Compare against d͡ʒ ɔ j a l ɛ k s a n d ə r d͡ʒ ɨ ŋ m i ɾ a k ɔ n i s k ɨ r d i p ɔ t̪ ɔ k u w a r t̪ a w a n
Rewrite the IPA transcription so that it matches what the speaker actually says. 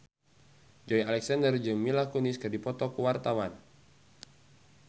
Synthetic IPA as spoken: d͡ʒ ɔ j a l ɛ k s a n d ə r d͡ʒ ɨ ŋ m i l a k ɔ n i s k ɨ r d i p ɔ t̪ ɔ k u w a r t̪ a w a n